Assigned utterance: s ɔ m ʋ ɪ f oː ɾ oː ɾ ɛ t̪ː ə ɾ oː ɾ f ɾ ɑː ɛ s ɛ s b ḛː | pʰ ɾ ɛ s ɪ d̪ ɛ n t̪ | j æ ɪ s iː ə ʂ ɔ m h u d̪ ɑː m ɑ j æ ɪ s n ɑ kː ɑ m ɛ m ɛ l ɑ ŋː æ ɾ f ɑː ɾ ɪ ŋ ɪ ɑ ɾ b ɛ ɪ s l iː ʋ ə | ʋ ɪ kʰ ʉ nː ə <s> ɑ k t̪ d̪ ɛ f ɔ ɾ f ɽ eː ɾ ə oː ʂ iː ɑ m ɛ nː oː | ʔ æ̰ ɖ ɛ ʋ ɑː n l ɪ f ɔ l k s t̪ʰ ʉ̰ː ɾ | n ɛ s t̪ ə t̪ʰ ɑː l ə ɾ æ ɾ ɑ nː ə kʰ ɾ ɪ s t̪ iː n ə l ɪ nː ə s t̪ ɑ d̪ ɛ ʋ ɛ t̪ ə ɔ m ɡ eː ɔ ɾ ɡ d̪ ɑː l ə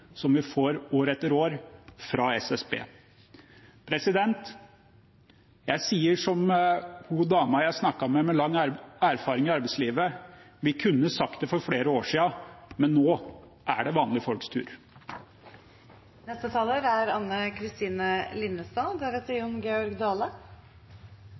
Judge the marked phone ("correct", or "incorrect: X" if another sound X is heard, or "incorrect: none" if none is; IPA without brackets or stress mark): correct